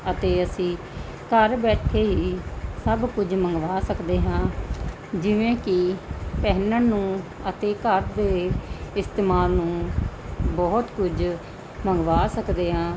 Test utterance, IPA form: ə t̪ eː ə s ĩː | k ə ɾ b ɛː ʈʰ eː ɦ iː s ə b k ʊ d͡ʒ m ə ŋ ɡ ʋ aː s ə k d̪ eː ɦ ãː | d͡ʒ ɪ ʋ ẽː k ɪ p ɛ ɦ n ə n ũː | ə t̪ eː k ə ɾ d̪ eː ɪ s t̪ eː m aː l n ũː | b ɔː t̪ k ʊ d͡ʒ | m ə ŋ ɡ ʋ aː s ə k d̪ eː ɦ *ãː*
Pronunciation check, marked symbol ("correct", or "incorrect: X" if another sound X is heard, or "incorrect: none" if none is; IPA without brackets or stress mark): correct